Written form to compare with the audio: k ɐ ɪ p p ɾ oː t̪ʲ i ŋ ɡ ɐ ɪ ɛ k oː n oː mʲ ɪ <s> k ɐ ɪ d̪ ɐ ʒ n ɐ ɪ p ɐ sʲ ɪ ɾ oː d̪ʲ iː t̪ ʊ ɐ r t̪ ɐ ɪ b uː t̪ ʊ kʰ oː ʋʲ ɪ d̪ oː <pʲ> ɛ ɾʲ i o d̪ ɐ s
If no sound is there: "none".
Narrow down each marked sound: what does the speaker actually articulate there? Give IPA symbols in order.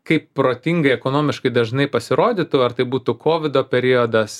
ʃ, pʲ

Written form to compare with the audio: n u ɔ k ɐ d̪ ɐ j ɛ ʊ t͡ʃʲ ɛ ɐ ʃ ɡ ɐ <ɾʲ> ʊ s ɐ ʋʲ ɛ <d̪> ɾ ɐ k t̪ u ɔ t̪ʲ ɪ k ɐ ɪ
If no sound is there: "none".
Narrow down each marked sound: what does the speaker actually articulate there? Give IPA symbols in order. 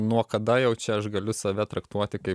lʲ, t̪

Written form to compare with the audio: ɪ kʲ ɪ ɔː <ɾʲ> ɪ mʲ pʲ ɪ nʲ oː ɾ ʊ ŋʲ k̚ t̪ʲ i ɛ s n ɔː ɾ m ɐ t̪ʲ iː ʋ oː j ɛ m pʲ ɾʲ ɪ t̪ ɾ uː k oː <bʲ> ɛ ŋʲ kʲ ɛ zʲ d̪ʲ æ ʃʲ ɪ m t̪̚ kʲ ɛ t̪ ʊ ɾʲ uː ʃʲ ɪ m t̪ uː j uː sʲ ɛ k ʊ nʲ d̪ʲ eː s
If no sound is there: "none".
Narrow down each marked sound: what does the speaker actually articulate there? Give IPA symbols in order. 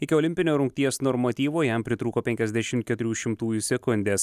lʲ, pʲ

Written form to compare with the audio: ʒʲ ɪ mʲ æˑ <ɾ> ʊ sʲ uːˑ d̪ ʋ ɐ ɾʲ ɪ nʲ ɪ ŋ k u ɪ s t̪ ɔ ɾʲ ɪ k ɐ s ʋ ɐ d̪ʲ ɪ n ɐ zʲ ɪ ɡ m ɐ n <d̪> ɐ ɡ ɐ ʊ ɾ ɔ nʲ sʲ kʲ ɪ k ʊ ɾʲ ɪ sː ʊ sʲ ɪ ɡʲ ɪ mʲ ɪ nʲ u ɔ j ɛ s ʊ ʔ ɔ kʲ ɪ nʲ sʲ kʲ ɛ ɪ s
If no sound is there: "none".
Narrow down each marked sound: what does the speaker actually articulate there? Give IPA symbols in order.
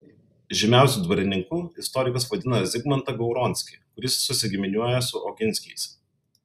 none, t̪

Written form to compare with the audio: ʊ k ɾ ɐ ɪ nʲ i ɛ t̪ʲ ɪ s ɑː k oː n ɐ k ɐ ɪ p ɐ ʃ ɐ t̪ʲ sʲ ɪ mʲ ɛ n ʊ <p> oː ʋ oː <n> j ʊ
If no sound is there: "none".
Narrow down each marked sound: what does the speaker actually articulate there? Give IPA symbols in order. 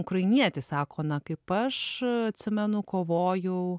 k, none

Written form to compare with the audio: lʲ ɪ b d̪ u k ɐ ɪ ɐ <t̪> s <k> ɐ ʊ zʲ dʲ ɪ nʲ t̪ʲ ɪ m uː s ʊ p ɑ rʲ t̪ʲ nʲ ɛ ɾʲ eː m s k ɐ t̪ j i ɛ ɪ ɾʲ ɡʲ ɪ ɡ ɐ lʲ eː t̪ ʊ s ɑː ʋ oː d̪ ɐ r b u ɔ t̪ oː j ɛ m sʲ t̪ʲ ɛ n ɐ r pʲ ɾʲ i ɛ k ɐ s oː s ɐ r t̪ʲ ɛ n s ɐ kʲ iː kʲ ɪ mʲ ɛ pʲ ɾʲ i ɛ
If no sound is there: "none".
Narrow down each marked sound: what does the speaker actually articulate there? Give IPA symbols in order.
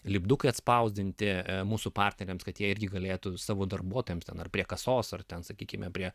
t̪, p

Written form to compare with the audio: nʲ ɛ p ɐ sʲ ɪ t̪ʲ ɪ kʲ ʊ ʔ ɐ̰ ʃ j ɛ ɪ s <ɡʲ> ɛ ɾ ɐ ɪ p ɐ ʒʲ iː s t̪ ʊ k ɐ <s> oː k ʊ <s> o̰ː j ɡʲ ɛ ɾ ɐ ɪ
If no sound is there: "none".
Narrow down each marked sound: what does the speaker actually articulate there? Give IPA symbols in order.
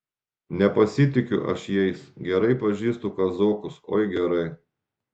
ɡʲ, z, s

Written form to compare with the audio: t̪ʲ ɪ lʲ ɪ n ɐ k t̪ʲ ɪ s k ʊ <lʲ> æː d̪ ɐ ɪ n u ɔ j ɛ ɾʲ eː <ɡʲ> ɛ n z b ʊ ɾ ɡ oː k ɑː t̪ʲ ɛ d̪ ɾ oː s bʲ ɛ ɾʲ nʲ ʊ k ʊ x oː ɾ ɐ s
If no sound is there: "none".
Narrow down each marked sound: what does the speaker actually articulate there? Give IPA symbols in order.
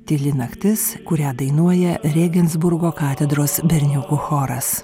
ɾʲ, ɡʲ

